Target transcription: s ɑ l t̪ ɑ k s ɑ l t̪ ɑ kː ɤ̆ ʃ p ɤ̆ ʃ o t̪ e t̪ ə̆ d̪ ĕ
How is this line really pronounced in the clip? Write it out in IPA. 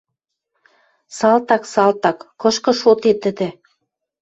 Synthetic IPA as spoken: s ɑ l t̪ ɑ k s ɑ l t̪ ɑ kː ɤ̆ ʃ k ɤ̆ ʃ o t̪ e t̪ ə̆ d̪ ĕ